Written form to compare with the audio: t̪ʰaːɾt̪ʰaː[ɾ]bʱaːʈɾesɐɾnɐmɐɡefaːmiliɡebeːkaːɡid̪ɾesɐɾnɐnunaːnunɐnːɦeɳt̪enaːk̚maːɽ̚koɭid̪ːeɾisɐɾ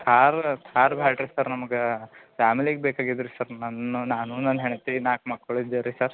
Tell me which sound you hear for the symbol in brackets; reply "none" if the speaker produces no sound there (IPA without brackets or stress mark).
ɾ